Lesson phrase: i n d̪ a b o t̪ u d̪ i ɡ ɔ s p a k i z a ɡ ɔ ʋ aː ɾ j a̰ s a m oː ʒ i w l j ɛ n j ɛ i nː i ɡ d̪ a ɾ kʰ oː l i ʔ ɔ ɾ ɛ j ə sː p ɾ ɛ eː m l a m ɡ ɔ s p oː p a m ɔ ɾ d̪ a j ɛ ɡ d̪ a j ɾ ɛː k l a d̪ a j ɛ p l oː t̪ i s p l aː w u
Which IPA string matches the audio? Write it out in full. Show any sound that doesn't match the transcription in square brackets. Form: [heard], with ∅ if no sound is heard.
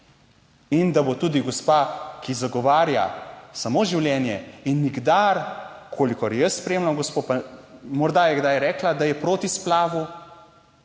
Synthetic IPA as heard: i n d̪ a b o t̪ u d̪ i ɡ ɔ s p a k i z a ɡ ɔ ʋ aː ɾ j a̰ s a m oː ʒ i w l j ɛ n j ɛ i nː i ɡ d̪ a ɾ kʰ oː l i [k] ɔ ɾ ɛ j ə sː p ɾ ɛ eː m l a m ɡ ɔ s p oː p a m ɔ ɾ d̪ a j ɛ ɡ d̪ a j ɾ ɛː k l a d̪ a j ɛ p [ɾ] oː t̪ i s p l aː [ʋ] u